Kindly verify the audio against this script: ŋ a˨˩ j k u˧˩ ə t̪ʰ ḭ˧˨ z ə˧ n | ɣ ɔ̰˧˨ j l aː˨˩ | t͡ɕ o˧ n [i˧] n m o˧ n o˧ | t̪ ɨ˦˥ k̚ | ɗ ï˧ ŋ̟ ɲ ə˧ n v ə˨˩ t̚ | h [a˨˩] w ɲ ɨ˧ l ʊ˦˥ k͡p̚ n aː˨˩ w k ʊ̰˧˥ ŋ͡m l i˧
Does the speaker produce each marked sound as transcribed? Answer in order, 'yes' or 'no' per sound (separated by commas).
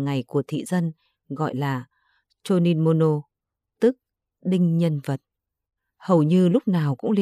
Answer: yes, no